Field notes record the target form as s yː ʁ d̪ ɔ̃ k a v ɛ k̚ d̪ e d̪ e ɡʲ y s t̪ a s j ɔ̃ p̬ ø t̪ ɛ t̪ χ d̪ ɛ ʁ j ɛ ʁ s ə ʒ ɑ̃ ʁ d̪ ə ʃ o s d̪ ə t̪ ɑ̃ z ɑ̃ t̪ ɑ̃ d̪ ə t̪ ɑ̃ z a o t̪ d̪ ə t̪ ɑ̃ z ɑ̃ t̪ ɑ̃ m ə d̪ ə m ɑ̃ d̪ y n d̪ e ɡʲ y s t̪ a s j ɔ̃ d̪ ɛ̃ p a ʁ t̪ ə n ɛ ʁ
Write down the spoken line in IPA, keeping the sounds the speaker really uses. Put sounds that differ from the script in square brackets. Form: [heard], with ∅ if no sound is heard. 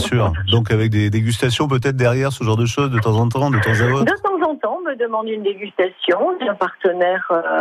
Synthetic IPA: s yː ʁ d̪ ɔ̃ k a v ɛ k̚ d̪ e d̪ e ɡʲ y s t̪ a s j ɔ̃ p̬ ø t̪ ɛ t̪ χ d̪ ɛ ʁ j ɛ ʁ s ə ʒ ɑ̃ ʁ d̪ ə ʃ o [z] d̪ ə t̪ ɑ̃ z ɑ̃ t̪ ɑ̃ d̪ ə t̪ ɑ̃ z a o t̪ d̪ ə t̪ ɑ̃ z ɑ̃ t̪ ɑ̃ m ə d̪ ə m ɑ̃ d̪ y n d̪ e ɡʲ y s t̪ a s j ɔ̃ d̪ ɛ̃ p a ʁ t̪ ə n ɛ ʁ